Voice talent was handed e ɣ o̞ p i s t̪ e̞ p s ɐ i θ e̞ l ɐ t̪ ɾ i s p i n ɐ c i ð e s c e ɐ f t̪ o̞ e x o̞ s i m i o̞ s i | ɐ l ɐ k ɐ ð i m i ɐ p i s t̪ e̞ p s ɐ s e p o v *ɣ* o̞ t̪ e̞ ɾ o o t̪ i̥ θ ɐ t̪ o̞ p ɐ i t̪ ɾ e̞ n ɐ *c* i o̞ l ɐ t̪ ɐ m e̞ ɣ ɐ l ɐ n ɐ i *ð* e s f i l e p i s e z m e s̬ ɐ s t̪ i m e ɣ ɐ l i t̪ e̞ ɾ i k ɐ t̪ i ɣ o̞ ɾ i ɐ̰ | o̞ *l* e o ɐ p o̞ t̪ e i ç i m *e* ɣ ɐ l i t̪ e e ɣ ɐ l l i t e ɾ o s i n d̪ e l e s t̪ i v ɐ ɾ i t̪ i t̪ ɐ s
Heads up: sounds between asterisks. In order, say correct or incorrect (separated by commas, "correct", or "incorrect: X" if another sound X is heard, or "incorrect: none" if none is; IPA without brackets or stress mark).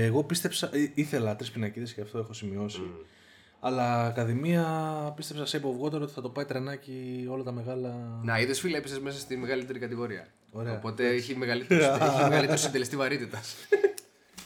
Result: correct, correct, correct, incorrect: ɾ, correct